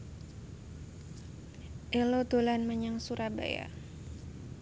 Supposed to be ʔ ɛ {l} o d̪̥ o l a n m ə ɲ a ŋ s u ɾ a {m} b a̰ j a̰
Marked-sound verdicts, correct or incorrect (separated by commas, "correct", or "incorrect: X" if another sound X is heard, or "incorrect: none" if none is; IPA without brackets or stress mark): correct, incorrect: none